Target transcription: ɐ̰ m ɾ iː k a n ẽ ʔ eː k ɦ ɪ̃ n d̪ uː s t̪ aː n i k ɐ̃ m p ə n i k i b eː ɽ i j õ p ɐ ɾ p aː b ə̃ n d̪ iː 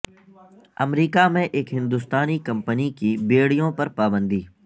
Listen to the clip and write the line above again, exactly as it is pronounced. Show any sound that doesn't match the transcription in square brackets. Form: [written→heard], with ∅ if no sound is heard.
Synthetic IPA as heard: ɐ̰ m ɾ iː k a [n→m] ẽ ʔ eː k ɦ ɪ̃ n d̪ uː s t̪ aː n i k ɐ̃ m p ə n i k i b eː ɽ i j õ p ɐ ɾ p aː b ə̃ n d̪ iː